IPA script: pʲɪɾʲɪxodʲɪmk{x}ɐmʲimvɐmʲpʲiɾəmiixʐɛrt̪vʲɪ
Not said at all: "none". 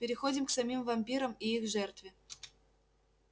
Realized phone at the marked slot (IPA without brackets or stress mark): s